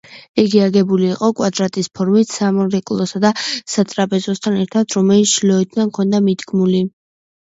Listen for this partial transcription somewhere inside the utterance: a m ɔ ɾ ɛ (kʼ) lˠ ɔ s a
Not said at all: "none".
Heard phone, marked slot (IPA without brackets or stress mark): kʼ